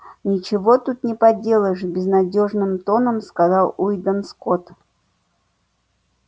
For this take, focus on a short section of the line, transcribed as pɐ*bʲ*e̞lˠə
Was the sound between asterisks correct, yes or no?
no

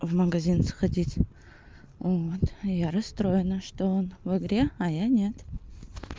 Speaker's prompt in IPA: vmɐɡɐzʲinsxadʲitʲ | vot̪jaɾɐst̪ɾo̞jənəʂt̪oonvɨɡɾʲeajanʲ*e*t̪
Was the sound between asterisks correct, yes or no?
yes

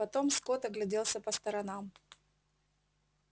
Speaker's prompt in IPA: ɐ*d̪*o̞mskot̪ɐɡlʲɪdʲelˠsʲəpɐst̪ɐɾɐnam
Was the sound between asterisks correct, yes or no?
no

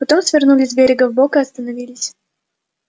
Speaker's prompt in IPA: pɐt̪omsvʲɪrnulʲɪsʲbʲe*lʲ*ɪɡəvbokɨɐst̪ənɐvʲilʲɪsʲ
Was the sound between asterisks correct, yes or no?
no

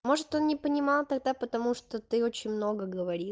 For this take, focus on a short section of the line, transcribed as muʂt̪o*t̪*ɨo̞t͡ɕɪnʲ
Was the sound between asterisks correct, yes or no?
yes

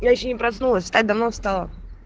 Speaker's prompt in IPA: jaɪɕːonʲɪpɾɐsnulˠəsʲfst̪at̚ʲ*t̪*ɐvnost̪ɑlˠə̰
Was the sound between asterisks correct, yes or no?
no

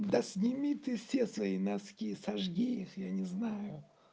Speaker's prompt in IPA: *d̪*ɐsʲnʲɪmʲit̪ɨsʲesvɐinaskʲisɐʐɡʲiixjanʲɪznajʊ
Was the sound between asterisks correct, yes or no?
yes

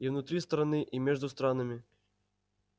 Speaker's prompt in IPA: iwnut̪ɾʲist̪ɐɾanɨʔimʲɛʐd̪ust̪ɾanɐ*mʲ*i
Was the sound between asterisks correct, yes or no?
yes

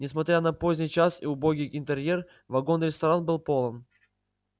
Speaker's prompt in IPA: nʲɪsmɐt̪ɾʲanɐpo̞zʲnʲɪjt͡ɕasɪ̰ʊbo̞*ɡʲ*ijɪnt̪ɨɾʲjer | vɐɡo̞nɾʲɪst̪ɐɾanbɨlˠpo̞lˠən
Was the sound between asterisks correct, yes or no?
yes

